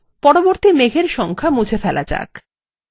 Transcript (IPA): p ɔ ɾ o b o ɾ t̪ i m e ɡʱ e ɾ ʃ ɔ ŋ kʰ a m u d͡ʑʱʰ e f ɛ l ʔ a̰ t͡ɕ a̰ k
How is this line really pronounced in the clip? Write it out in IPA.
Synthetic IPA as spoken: p ɔ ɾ o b o ɾ t̪ i m e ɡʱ e ɾ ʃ ɔ ŋ kʰ a m u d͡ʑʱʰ e f ɛ l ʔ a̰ t͡ɕ a̰ k